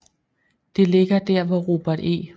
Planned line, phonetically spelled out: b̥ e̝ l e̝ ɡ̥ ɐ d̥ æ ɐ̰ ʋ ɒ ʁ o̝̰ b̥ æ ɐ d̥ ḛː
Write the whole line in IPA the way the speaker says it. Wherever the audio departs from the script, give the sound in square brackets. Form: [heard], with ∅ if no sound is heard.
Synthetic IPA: [d̥] e̝ l e̝ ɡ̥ ɐ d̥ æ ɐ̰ ʋ ɒ ʁ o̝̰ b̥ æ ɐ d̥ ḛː